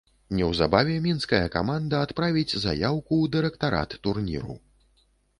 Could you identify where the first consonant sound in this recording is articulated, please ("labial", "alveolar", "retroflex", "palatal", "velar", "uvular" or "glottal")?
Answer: alveolar